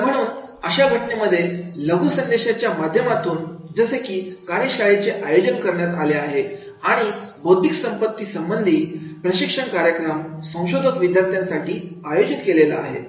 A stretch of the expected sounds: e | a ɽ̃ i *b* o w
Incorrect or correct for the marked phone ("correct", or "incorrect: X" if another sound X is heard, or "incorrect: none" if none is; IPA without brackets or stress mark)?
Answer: correct